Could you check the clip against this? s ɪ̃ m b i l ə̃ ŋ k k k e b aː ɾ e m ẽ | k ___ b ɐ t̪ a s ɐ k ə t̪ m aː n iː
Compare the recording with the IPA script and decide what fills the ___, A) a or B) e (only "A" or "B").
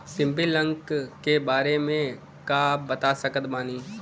A